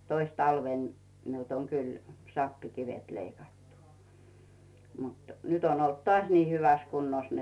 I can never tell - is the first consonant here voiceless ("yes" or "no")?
yes